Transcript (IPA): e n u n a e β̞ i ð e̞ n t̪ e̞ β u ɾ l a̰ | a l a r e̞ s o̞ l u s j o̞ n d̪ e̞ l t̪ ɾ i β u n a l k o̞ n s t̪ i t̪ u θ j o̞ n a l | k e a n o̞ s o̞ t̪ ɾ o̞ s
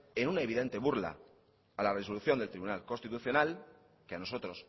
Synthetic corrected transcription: e n u n a e β̞ i ð e̞ n t̪ e̞ β u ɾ l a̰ | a l a r e̞ s o̞ l u θ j o̞ n d̪ e̞ l t̪ ɾ i β u n a l k o̞ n s t̪ i t̪ u θ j o̞ n a l | k e a n o̞ s o̞ t̪ ɾ o̞ s